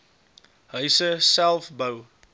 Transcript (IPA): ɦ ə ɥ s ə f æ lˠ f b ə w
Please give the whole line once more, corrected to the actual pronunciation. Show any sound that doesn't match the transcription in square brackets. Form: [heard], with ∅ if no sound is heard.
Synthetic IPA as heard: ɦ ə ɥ s ə [s] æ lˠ f b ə w